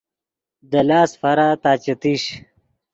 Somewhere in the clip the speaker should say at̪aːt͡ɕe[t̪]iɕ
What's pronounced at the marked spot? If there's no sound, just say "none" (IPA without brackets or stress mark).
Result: t̪